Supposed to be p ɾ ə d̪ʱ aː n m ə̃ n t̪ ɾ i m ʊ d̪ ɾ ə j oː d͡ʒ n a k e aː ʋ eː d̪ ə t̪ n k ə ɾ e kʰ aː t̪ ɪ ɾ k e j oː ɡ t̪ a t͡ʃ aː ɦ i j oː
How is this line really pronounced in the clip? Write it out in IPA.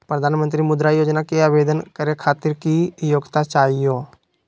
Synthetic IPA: p ɾ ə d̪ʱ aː n m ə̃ n t̪ ɾ i m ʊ d̪ ɾ a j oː d͡ʒ n a k e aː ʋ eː d̪ ə n k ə ɾ e kʰ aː t̪ ɪ ɾ k i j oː ɡ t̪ a t͡ʃ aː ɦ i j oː